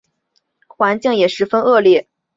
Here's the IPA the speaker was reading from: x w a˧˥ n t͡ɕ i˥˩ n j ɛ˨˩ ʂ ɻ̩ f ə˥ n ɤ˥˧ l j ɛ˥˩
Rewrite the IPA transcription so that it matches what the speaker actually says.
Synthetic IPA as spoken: x w a˧˥ n t͡ɕ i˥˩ ŋ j ɛ˨˩ ʂ ɻ̩ f ə˥ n ɤ˥˧ l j ɛ˥˩